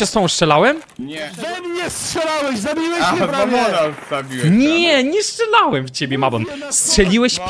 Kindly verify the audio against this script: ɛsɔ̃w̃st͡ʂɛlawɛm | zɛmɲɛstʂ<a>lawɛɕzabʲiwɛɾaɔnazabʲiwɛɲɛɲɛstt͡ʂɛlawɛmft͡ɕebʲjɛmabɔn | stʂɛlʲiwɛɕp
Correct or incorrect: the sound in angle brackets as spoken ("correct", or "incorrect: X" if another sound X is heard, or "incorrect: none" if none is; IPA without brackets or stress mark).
incorrect: ɛ